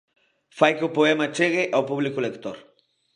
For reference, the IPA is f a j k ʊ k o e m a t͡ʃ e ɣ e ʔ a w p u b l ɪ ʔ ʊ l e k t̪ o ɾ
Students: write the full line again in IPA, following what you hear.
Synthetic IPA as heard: f a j k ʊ p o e m a t͡ʃ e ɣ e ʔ a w p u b l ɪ k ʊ l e k t̪ o ɾ

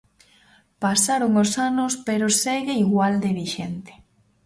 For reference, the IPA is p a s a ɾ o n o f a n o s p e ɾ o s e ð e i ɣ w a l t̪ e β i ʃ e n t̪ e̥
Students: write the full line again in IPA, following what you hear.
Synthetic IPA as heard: p a s a ɾ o ŋ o s a n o s p e ɾ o s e ɣ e i ɣ w a l d̪ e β i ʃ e n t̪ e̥

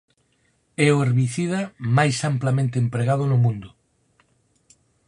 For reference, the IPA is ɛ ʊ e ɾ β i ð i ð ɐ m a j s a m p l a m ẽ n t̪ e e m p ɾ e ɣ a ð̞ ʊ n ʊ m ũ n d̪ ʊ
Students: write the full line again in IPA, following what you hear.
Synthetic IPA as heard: ɛ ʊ e ɾ β i θ i ð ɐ m a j s a m p l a m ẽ n t̪ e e m p ɾ e ɣ a ð̞ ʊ n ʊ m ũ n d̪ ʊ

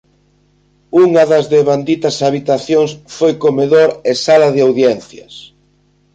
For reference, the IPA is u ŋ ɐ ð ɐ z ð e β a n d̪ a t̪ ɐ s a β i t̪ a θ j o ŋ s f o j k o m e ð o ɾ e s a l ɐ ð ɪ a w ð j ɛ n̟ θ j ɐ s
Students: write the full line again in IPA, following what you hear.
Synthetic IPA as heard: u ŋ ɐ ð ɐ z ð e β a n d̪ i t̪ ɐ s a β i t̪ a θ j o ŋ s f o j k o m e ð o ɾ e s a l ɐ ð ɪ a w ð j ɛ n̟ θ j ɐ s

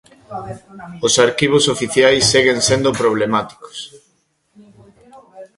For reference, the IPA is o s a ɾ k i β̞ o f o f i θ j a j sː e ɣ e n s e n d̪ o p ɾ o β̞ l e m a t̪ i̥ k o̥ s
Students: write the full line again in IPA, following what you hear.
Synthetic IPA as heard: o s a ɾ k i β̞ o s o f i θ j a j sː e ɣ e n s e n d̪ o p ɾ o β̞ l e m a t̪ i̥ k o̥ s

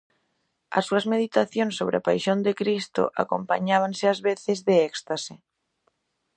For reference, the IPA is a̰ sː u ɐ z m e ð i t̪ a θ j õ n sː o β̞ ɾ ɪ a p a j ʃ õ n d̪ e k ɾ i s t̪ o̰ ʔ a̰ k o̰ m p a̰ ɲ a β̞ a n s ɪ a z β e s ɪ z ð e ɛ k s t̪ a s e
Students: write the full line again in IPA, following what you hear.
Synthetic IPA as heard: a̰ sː u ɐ z m e ð i t̪ a θ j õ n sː o β̞ ɾ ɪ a p a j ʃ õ n d̪ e k ɾ i s t̪ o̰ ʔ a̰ k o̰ m p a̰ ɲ a β̞ a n s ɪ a z β e θ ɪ z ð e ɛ k s t̪ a s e

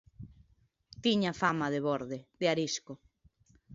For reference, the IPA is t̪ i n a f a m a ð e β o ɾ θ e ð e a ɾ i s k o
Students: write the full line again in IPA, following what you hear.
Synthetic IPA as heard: t̪ i ɲ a f a m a ð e β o ɾ ð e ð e a ɾ i s k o

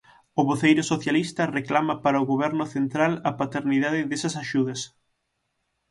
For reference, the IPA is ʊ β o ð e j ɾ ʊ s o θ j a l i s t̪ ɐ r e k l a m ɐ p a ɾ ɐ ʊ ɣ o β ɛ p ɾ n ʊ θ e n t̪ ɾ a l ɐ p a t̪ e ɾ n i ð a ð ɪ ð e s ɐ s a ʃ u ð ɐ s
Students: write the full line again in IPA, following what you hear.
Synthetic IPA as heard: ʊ β o θ e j ɾ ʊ s o θ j a l i s t̪ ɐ r e k l a m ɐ p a ɾ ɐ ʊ ɣ o β ɛ ɾ n ʊ θ e n t̪ ɾ a l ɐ p a t̪ e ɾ n i ð a ð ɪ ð e s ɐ s a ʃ u ð ɐ s

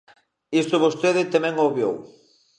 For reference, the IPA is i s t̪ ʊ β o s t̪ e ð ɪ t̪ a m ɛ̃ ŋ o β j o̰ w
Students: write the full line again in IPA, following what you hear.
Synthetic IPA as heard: i s t̪ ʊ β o s t̪ e ð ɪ t̪ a m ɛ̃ ŋ o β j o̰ w

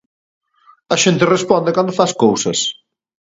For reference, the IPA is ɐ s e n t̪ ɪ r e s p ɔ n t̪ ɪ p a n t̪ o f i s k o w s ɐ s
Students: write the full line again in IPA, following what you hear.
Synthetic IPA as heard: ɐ ʃ e n t̪ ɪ r e s p ɔ n d̪ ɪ k a n d̪ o f a s k o w s ɐ s

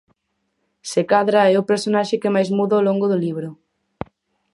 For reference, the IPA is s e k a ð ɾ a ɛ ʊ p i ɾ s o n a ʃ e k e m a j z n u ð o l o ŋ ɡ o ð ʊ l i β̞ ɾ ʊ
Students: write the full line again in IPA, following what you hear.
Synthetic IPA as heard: s e k a ð ɾ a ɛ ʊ p e ɾ s o n a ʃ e k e m a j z m u ð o l o ŋ ɡ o ð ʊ l i β̞ ɾ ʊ

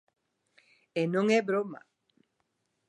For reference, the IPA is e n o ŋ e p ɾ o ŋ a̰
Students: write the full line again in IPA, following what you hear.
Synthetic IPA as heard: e n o ŋ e b ɾ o m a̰

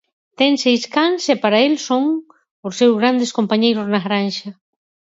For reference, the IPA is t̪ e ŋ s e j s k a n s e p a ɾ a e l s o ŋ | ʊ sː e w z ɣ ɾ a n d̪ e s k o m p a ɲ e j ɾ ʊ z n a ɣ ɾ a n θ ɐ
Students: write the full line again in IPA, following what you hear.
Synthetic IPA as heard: t̪ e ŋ s e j s k a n s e p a ɾ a e l s o ŋ | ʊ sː e w z ɣ ɾ a n d̪ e s k o m p a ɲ e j ɾ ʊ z n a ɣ ɾ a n ʃ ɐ

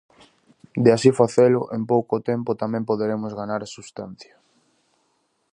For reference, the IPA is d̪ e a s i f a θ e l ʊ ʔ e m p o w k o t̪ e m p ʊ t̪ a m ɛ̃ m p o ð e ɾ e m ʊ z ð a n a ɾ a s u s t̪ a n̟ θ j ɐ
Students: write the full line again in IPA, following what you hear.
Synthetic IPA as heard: d̪ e a s i f a θ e l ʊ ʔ e m p o w k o t̪ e m p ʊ t̪ a m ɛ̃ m p o ð e ɾ e m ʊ z ɣ a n a ɾ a s u s t̪ a n̟ θ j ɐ

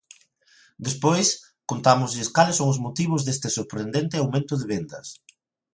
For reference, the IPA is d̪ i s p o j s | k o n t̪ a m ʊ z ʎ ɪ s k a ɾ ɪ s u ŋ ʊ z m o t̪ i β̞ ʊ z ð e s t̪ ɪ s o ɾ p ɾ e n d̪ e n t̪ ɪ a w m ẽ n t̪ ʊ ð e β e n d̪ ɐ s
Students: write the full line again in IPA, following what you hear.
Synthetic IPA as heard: d̪ e s p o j s | k o n t̪ a m ʊ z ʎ ɪ s k a l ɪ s o ŋ ʊ z m o t̪ i β̞ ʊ z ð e s t̪ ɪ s o ɾ p ɾ e n d̪ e n t̪ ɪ a w m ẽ n t̪ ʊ ð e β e n d̪ ɐ s

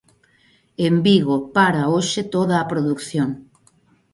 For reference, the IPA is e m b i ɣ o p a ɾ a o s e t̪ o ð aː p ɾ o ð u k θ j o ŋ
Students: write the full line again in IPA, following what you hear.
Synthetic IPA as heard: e m b i ɣ o p a ɾ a o ʃ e t̪ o ð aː p ɾ o ð u k θ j o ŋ

